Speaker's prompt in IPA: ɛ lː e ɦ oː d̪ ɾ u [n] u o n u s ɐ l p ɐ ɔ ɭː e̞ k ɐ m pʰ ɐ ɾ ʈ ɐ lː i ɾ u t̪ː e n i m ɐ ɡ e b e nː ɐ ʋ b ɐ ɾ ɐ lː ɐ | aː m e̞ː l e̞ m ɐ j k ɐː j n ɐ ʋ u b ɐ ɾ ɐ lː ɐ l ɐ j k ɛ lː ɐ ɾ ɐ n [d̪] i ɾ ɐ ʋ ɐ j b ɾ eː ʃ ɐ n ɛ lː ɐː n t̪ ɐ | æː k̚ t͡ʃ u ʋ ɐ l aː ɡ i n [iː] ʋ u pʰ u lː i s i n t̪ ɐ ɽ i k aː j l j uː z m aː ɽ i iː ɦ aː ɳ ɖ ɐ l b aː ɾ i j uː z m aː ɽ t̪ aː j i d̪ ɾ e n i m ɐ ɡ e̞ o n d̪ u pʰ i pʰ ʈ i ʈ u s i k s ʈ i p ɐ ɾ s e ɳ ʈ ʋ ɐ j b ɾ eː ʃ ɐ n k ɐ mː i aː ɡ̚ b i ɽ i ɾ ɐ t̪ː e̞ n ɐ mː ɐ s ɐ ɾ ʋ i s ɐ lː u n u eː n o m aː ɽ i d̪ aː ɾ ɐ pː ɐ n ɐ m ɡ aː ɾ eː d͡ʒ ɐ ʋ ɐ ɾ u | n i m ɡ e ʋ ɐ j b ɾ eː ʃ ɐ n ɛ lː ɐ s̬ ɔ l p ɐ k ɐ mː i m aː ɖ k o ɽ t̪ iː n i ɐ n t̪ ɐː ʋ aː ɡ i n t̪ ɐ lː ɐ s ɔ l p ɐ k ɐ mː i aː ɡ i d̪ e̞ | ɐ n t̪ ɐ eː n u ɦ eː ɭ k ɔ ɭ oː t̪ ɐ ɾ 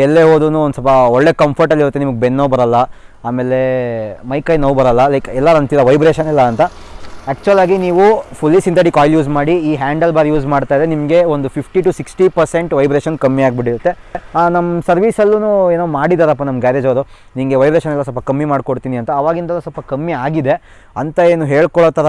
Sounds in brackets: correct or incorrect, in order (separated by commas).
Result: correct, incorrect, correct